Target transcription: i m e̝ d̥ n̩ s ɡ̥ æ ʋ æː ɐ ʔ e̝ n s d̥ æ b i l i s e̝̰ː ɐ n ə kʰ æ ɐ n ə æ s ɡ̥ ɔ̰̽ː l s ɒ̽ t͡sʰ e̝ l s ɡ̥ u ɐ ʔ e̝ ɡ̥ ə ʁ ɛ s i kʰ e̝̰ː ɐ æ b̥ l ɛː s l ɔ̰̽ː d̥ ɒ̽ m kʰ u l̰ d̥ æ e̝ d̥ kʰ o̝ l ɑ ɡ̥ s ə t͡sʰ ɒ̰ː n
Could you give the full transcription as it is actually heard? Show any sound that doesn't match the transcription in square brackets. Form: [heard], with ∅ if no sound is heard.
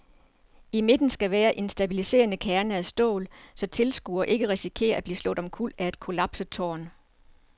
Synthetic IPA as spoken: i m e̝ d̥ n̩ s ɡ̥ æ ʋ æː ɐ ʔ e̝ n s d̥ æ b i l i s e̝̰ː ɐ n ə kʰ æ ɐ n ə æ s [d̥] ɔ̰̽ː l s ɒ̽ t͡sʰ e̝ l s ɡ̥ u ɐ ʔ e̝ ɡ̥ ə ʁ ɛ s i kʰ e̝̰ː ɐ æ b̥ l [iː] s l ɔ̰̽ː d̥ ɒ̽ m kʰ u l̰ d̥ æ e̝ d̥ kʰ o̝ l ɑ [b̥] s ə t͡sʰ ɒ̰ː n